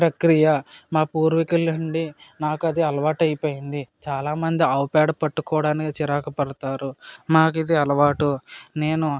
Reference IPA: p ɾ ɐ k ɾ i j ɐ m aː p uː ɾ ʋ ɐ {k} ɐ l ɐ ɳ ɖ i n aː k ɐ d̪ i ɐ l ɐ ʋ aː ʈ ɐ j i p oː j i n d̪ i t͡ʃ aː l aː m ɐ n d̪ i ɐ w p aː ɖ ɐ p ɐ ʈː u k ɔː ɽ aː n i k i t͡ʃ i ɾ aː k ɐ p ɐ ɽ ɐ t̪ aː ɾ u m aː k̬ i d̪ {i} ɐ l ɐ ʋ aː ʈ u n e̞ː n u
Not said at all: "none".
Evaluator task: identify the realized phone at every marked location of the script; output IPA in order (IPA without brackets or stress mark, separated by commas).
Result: k, i